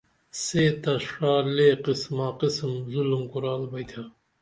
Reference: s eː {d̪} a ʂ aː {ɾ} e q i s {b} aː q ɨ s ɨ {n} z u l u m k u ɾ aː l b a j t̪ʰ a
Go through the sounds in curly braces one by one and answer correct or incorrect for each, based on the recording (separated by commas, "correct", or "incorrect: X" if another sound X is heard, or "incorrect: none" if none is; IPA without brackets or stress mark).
incorrect: t̪, incorrect: l, incorrect: m, incorrect: m